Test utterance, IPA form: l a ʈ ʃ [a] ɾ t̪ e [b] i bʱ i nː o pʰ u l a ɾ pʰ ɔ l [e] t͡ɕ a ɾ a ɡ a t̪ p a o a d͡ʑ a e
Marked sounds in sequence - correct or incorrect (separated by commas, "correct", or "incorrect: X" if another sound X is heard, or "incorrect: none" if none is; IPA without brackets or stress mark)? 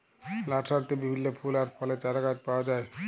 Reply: correct, correct, correct